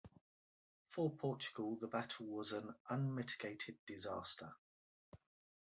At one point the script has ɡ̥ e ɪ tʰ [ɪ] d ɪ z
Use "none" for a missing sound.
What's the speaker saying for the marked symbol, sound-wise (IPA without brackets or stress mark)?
ɪ